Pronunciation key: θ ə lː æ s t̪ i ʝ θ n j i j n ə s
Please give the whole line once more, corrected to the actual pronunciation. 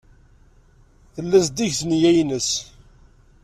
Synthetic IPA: θ ə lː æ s d̪ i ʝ θ n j æ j n ə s